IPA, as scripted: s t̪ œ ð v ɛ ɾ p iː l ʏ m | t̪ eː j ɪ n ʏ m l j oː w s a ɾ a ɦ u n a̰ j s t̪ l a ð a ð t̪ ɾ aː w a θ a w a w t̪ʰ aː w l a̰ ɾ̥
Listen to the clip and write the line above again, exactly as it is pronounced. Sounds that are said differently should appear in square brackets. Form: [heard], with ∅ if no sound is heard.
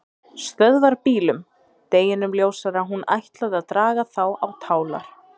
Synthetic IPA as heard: s t̪ œ ð v [a] ɾ p iː l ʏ m | t̪ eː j ɪ n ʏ m l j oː w s a ɾ a ɦ u n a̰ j [h] t̪ l a ð a ð t̪ ɾ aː [ɣ] a θ a w a w t̪ʰ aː w l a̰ ɾ̥